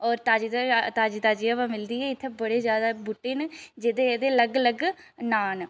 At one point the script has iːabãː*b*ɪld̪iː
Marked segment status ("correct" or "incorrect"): incorrect